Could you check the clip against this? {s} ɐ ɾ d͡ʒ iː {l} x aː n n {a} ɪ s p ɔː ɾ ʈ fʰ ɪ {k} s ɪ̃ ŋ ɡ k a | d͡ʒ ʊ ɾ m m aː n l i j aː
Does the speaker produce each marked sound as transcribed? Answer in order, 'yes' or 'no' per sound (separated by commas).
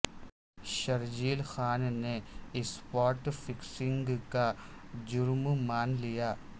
no, yes, no, yes